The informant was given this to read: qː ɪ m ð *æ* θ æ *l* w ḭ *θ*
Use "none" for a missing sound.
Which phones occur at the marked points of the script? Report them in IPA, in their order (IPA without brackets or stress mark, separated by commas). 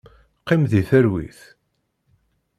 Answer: i, ɾ, θ